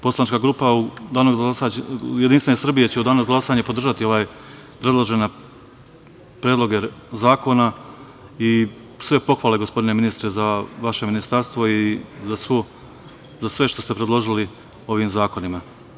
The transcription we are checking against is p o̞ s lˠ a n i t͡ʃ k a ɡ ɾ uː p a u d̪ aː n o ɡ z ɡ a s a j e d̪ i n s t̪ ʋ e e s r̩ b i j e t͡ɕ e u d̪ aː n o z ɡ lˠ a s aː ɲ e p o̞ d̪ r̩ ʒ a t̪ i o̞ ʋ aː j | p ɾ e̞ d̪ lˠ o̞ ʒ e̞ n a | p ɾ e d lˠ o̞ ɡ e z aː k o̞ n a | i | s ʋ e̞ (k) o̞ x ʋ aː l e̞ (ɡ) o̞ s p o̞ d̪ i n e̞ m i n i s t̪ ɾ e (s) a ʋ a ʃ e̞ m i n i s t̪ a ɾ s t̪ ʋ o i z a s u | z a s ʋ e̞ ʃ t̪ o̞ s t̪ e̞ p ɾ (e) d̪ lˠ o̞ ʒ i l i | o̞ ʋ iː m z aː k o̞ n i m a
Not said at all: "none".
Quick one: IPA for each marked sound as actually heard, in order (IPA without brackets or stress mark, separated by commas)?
p, ɡ, z, e